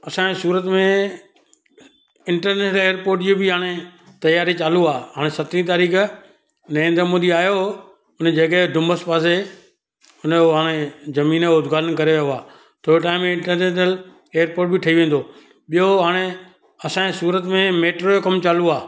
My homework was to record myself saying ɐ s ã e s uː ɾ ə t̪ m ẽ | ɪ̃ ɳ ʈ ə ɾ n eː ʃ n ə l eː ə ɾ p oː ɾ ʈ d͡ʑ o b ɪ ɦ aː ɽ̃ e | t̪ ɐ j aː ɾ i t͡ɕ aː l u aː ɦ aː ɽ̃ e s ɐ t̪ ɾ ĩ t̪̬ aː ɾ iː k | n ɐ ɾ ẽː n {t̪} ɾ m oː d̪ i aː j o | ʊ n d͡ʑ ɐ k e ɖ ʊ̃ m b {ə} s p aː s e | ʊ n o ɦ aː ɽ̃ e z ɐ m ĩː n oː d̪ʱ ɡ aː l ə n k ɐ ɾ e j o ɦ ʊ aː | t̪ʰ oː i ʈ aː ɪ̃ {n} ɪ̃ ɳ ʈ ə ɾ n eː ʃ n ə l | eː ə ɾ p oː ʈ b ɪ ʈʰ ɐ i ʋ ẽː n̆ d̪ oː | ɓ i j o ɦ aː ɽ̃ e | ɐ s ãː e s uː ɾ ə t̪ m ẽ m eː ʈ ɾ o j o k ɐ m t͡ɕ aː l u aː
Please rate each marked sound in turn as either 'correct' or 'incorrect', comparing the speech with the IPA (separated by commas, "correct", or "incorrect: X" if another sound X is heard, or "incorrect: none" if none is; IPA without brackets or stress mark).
incorrect: d̪, correct, incorrect: m